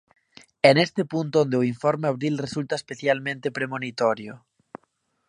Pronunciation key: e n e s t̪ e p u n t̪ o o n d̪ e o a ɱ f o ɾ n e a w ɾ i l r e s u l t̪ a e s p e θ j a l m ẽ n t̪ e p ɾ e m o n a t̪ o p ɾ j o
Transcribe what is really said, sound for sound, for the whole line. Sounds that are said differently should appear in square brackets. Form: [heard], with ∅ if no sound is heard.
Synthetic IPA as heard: e n e s t̪ e p u n t̪ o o n d̪ e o [i] ɱ f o ɾ [m] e a [β] ɾ i l r e s u l t̪ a e s p e θ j a l m ẽ n t̪ e p ɾ e m o n [i] t̪ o [∅] ɾ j o